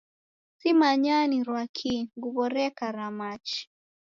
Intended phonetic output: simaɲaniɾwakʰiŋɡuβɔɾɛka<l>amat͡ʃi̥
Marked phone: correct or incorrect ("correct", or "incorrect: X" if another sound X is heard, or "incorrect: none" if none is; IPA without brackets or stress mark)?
incorrect: ɾ